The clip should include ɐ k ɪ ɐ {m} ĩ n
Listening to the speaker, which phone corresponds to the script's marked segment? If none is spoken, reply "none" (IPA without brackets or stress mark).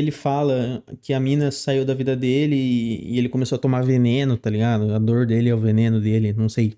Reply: m